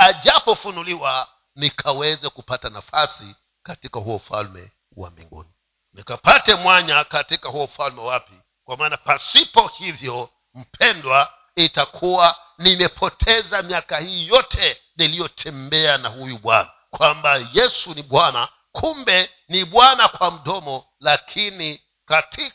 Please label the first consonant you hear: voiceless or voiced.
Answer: voiced